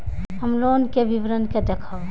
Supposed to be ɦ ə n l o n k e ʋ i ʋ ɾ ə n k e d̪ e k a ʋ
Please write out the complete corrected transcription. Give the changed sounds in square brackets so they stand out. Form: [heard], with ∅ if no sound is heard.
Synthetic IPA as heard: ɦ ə [m] l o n k e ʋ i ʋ ɾ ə n k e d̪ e [kʰ] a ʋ